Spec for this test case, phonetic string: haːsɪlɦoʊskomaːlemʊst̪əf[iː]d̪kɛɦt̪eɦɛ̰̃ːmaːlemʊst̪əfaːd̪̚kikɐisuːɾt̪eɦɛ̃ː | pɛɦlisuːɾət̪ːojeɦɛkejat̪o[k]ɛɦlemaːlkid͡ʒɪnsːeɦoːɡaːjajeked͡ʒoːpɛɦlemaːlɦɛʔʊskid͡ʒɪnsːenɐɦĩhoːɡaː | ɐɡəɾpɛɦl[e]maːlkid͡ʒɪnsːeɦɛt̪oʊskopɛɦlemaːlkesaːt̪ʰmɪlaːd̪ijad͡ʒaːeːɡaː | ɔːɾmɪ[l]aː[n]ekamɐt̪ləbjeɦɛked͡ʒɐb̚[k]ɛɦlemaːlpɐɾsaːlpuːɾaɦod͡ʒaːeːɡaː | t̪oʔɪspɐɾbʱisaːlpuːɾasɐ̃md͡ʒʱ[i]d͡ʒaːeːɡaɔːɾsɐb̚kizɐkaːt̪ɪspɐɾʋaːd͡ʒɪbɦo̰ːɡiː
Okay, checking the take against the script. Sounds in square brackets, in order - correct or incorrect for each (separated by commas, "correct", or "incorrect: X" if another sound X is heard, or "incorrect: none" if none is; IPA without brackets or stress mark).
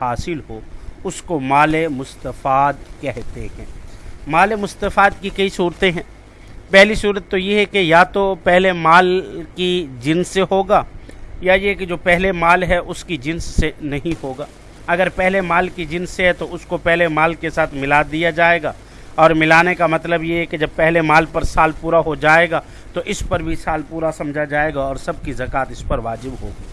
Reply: incorrect: aː, incorrect: p, correct, correct, correct, incorrect: p, incorrect: a